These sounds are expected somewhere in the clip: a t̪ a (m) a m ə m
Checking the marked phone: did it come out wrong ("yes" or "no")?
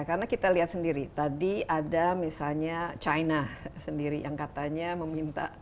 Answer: yes